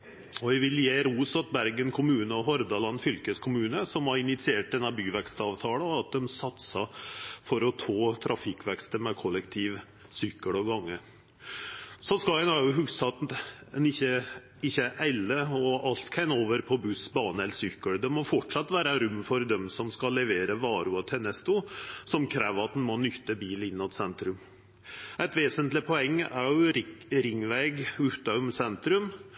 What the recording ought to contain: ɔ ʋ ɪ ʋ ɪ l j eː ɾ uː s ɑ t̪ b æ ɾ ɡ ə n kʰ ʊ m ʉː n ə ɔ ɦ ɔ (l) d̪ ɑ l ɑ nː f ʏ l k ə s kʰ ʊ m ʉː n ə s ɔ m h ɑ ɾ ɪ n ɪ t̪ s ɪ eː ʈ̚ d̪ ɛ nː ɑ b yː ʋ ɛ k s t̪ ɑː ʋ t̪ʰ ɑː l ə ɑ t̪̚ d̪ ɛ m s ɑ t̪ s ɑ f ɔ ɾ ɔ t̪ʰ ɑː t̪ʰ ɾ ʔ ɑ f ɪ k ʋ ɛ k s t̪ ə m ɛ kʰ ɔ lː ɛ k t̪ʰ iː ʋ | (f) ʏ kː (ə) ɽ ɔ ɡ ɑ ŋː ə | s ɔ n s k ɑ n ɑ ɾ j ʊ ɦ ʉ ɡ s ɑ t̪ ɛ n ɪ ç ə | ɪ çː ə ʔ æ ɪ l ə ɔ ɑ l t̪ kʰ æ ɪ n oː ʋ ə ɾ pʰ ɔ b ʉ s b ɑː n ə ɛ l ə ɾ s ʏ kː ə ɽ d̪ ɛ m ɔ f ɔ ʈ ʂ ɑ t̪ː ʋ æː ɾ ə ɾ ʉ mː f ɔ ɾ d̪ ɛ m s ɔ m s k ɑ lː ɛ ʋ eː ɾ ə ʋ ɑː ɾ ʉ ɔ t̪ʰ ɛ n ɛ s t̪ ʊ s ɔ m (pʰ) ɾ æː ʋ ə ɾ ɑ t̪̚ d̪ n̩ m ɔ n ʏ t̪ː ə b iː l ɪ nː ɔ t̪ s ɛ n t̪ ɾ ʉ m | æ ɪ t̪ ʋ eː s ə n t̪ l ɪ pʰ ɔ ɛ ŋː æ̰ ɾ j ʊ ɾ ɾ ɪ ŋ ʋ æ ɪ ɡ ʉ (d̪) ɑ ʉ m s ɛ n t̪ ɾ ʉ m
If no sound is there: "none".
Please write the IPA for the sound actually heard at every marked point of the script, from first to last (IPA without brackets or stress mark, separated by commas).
ɾ, s, ə, kʰ, t̪